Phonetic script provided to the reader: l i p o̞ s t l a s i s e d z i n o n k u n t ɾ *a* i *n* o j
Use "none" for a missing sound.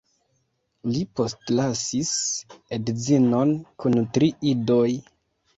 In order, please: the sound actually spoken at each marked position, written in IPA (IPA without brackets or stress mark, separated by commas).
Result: i, d